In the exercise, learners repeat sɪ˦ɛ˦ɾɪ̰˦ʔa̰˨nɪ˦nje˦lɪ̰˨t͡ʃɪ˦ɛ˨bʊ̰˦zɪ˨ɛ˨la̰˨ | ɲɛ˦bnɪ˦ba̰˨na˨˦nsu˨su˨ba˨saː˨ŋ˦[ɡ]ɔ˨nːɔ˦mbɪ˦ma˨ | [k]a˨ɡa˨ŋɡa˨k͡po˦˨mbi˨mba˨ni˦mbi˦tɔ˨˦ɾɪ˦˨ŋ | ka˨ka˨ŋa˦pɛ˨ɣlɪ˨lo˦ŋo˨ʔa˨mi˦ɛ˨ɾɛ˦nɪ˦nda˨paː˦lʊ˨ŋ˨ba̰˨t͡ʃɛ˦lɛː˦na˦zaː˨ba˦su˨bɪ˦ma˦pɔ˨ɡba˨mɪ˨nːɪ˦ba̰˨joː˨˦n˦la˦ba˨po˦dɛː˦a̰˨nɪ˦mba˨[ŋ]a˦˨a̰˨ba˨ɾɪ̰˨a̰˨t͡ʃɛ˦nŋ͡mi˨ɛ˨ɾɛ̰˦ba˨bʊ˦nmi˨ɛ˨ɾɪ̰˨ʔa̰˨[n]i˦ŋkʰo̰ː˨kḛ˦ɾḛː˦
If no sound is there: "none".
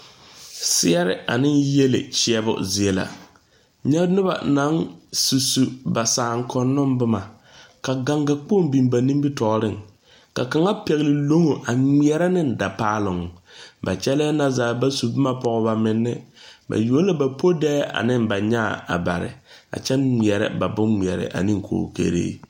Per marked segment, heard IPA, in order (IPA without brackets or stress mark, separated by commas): k, k, ɲ, n